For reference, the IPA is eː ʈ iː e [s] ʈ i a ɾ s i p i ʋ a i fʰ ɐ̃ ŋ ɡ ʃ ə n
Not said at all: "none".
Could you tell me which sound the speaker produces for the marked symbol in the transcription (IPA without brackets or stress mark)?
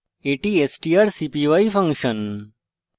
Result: s